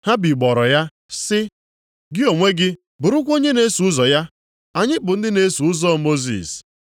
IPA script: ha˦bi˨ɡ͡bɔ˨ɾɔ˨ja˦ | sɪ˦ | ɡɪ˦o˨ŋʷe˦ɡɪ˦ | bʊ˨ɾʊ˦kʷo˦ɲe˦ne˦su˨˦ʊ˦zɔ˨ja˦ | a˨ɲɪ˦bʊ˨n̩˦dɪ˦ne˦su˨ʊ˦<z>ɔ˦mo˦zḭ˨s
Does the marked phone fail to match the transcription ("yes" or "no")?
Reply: no